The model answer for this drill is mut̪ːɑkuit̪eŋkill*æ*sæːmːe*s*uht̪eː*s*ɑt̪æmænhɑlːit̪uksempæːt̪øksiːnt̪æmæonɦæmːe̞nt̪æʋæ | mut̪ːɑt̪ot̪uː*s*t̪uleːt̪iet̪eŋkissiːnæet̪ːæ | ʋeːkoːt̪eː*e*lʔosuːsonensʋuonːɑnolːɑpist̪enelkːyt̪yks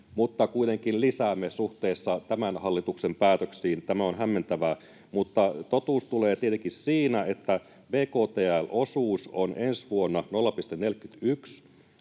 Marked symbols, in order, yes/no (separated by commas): no, yes, no, yes, no